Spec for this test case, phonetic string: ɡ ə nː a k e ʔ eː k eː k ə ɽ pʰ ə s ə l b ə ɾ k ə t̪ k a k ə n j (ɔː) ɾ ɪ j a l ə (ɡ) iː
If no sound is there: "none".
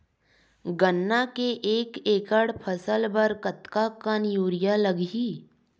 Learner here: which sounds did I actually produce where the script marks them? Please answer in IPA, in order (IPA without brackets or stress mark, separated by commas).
uː, ɡ